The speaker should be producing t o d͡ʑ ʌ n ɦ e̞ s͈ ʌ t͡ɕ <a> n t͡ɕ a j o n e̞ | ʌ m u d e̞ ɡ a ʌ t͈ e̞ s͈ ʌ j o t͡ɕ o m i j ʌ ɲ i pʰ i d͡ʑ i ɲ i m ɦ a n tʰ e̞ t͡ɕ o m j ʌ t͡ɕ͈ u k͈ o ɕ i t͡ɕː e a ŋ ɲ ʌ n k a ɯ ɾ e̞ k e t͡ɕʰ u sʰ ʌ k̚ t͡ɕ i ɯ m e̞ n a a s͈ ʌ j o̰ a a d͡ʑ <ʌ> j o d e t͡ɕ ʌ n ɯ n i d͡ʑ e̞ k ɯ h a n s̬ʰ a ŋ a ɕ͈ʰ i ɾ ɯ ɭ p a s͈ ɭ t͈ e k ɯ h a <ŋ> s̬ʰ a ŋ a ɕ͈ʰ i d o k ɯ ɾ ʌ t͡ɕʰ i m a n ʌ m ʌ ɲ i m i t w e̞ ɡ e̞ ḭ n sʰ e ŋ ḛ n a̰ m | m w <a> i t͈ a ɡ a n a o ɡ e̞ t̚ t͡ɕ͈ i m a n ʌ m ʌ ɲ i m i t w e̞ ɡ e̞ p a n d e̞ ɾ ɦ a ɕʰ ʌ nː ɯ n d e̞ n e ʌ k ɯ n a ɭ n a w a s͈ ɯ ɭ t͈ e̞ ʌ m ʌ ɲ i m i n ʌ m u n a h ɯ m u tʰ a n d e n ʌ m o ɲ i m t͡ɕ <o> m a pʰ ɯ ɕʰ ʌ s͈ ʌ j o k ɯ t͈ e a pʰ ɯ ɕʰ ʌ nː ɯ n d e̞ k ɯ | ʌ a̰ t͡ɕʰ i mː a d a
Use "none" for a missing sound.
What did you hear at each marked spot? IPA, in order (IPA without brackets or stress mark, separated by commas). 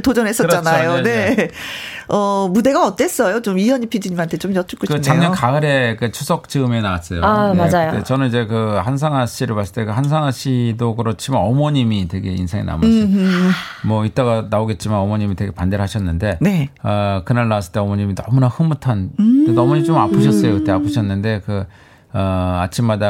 a, a, n, ʌ, o